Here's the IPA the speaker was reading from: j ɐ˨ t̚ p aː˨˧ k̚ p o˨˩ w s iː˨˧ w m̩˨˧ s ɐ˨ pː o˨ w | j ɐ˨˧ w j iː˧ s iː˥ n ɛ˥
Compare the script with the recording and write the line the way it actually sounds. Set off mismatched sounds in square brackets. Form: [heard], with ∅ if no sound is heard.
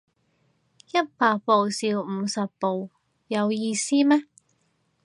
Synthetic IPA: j [ɐ˥] t̚ p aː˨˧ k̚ p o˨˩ w s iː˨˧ w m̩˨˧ s ɐ˨ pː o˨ w | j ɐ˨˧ w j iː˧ s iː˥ [m] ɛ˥